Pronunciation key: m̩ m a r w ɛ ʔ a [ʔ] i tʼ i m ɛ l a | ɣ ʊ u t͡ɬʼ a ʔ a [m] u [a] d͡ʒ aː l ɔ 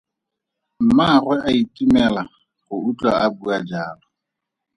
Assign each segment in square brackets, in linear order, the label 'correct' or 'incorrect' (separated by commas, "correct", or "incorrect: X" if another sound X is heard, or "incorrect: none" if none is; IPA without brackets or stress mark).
incorrect: none, incorrect: b, correct